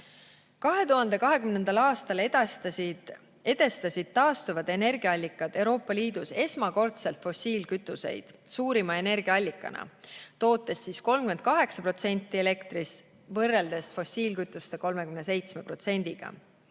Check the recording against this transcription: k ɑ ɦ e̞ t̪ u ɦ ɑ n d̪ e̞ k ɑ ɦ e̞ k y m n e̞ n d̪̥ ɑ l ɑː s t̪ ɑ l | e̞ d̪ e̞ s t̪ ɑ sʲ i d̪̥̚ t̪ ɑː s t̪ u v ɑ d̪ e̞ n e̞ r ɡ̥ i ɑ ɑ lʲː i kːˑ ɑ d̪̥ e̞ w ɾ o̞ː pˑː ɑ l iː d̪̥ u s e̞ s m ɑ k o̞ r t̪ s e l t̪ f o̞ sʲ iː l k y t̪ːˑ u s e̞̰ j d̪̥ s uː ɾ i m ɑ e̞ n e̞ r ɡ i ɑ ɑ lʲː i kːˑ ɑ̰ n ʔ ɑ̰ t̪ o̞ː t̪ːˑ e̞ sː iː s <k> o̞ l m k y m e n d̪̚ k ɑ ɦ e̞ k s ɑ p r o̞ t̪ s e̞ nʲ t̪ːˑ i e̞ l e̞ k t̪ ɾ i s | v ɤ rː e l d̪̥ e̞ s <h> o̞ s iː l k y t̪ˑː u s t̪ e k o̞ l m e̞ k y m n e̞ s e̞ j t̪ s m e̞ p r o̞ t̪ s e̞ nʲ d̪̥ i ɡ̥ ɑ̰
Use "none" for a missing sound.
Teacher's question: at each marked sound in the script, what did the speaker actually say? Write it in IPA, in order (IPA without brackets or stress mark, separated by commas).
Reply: k, f